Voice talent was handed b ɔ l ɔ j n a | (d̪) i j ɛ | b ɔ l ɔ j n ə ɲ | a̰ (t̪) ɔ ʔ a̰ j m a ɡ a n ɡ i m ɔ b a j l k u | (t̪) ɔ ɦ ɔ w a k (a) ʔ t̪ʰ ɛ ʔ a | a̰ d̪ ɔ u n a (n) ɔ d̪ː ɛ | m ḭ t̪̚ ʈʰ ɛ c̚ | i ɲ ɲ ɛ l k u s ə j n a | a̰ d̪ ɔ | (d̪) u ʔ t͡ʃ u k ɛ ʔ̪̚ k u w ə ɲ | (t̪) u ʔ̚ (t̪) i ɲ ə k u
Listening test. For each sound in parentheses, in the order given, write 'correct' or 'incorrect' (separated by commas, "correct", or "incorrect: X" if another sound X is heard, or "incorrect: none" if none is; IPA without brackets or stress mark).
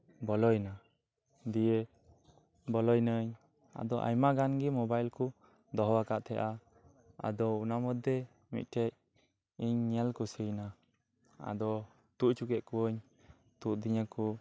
correct, incorrect: d̪, incorrect: d̪, correct, incorrect: m, incorrect: t̪, correct, incorrect: d̪